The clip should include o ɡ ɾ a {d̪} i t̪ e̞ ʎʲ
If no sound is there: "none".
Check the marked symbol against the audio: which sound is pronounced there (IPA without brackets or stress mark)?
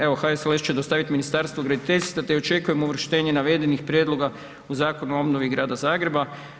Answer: d̪